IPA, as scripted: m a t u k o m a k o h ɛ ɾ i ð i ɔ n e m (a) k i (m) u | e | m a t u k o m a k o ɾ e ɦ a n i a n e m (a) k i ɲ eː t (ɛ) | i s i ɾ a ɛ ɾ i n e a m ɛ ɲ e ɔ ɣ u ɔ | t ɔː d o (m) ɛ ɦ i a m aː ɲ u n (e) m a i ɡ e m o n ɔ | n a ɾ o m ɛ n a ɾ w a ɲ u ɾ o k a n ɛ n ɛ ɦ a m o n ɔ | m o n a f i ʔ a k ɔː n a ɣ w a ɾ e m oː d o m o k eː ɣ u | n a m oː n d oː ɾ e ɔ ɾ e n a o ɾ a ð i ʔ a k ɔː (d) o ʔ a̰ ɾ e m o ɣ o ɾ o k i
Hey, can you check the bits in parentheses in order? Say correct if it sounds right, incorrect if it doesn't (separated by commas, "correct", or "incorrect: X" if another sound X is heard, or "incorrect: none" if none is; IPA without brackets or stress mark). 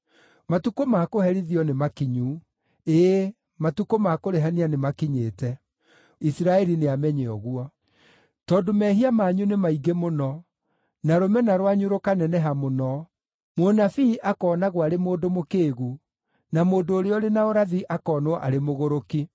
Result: correct, incorrect: ɲ, correct, correct, correct, correct, incorrect: n